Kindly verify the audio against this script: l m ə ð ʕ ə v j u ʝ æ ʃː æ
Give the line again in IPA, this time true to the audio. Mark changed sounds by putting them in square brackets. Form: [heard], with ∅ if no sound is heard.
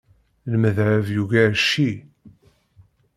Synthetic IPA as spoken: l m ə ð ʕ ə v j u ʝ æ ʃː [i]